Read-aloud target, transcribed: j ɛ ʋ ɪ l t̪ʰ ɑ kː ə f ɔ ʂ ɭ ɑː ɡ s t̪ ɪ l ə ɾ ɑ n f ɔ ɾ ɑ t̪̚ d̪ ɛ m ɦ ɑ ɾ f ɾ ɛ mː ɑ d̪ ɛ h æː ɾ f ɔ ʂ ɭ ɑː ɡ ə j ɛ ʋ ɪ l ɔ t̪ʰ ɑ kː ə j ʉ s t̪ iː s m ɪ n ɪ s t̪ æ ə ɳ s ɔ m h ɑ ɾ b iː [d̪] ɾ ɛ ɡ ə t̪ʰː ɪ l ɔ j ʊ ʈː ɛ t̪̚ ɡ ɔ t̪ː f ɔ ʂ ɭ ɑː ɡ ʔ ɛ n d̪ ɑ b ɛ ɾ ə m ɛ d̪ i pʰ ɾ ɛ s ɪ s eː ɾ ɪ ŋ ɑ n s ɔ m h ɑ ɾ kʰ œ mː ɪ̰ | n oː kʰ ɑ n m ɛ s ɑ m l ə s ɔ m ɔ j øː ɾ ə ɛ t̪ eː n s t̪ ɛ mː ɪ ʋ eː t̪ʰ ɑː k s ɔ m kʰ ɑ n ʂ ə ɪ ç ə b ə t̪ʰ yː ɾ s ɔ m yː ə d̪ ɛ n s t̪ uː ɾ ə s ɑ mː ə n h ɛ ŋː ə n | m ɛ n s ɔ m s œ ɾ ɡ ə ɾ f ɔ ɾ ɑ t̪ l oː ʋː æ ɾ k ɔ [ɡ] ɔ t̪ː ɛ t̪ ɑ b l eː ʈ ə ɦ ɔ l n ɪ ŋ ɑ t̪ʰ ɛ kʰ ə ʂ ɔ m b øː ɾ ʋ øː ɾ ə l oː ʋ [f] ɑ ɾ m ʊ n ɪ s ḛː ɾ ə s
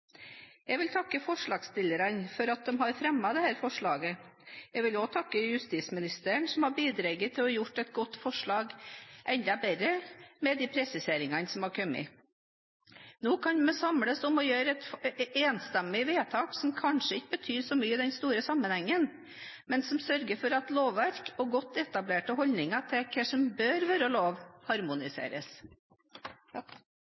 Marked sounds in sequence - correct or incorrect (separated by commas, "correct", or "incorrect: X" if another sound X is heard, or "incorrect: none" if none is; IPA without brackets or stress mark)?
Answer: correct, correct, incorrect: h